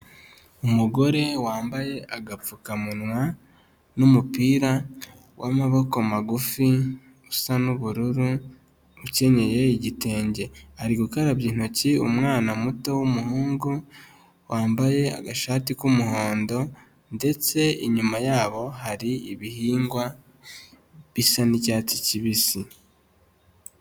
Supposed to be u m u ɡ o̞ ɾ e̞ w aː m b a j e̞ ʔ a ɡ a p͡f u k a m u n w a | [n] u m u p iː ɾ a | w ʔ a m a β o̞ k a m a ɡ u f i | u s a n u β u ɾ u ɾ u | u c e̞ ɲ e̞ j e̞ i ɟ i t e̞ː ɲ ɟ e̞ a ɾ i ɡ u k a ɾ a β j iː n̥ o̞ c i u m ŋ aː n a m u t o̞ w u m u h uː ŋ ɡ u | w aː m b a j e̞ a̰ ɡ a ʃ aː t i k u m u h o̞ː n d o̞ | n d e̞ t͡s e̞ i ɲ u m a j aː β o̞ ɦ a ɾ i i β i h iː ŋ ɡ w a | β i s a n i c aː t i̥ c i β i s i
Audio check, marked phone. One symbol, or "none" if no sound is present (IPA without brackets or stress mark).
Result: n